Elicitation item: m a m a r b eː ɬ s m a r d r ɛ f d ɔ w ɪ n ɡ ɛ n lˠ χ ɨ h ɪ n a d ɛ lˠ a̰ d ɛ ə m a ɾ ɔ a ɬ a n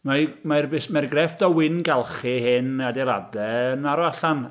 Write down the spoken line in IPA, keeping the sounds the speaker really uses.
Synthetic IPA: m a m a r b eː s m a r ɡ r ɛ f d ɔ w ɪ n ɡ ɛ lˠ χ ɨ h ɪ n a d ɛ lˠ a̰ d ɛ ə n a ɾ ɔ a ɬ a n